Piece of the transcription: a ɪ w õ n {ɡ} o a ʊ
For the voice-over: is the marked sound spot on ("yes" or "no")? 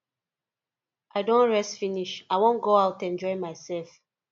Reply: yes